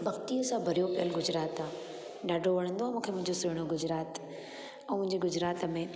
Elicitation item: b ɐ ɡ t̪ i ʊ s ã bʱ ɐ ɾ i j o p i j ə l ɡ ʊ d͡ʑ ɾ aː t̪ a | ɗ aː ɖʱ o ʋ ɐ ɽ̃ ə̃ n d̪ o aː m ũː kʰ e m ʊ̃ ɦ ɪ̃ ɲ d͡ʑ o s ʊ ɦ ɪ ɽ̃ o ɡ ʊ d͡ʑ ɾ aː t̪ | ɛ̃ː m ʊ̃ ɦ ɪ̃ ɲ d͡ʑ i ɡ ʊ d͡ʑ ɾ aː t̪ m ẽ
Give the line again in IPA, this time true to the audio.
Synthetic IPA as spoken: b ɐ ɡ t̪ i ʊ s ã bʱ ɐ ɾ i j o p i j ə l ɡ ʊ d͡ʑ ɾ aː t̪ a | ɗ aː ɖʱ o ʋ ɐ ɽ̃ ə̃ n d̪ o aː m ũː kʰ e m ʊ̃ ɦ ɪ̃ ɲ d͡ʑ o s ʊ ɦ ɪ ɽ̃ o ɡ ʊ d͡ʑ ɾ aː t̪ | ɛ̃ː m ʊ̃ ɦ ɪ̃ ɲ d͡ʑ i ɡ ʊ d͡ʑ ɾ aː t̪ m ẽ